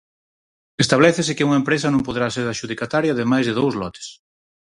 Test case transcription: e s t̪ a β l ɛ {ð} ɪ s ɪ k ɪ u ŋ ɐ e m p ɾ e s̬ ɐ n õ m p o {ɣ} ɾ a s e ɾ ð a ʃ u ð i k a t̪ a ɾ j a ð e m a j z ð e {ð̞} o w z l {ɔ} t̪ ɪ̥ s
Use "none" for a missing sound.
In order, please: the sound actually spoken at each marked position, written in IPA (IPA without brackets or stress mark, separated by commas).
θ, ð, ð̞, ɔ